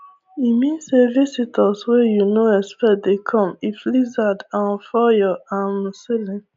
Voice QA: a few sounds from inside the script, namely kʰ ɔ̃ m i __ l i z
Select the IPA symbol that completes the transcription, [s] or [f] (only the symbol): f